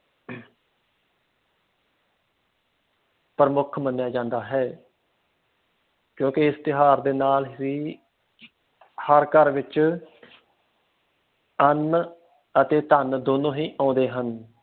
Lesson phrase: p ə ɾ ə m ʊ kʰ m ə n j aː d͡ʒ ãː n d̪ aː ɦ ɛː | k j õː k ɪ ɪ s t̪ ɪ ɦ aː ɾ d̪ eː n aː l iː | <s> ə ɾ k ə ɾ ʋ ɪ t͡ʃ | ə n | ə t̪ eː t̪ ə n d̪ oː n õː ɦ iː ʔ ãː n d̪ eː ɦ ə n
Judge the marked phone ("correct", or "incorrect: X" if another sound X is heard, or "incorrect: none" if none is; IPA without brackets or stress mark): incorrect: h